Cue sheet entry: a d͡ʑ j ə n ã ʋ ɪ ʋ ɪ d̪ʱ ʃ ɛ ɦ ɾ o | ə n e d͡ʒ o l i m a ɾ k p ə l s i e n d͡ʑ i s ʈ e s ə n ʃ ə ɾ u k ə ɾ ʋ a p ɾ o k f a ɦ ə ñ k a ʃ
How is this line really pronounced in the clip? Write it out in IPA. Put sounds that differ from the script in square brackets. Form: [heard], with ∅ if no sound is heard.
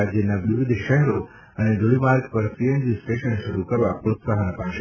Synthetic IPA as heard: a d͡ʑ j ə n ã ʋ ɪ ʋ ɪ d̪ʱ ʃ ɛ ɦ ɾ o | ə n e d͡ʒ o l i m a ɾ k p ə [ɾ] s i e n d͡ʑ i s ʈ e [ʃ] ə n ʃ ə ɾ u k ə ɾ ʋ a p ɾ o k [s] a ɦ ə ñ [p] a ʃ